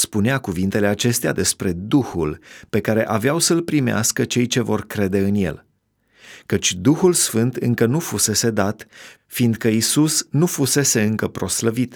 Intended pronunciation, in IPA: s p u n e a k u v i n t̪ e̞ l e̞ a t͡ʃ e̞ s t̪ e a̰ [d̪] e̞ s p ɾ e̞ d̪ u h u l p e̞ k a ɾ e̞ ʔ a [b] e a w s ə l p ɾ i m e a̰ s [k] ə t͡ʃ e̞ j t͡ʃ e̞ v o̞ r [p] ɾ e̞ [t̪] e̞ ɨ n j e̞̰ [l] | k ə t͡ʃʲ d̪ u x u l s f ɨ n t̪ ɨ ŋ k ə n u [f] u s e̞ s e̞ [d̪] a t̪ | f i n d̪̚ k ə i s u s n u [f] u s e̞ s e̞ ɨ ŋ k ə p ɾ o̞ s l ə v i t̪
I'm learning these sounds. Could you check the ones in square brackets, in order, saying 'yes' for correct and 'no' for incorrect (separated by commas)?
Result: yes, no, yes, no, no, yes, yes, yes, yes